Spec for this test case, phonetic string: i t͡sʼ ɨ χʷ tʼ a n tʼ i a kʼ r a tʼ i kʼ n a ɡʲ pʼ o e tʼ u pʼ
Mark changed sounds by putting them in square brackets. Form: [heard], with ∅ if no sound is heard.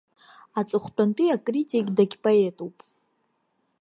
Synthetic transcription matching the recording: [a] t͡sʼ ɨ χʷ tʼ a n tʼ i a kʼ r [i] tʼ i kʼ [d] a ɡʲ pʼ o e tʼ u pʼ